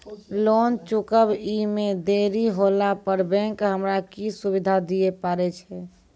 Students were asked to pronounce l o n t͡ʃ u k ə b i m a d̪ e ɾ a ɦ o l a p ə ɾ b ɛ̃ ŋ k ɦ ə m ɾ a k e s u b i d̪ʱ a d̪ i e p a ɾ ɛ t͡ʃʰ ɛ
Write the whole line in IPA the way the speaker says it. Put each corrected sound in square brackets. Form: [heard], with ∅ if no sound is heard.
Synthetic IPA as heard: l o n t͡ʃ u k ə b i m [e] d̪ e ɾ [i] ɦ o l a p ə ɾ b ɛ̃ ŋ k ɦ ə m ɾ a k [i] s u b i d̪ʱ a d̪ i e p a ɾ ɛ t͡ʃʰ ɛ